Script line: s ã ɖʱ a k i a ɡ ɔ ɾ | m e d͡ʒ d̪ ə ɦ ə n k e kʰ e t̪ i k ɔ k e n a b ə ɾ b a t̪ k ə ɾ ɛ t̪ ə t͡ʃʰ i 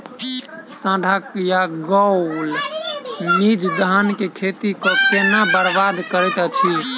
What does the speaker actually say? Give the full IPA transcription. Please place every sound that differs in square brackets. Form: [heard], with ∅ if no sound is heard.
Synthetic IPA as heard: s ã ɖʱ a k [j] a ɡ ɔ [l] | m [i] d͡ʒ d̪ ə ɦ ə n k e kʰ e t̪ i k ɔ k e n a b ə ɾ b a [d̪] k ə ɾ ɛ t̪ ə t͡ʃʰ i